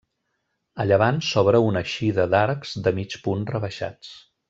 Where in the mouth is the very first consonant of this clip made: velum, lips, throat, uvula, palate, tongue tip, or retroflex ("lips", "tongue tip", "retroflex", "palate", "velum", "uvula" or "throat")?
palate